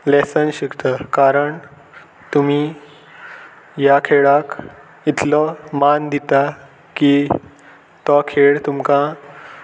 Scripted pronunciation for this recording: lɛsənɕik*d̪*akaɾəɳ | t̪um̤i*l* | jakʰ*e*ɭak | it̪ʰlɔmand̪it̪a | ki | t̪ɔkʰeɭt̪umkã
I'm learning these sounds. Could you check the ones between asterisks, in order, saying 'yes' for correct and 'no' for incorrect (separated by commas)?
no, no, yes